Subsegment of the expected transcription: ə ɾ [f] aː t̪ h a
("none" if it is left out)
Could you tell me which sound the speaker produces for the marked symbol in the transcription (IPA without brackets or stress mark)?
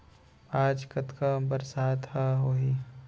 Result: s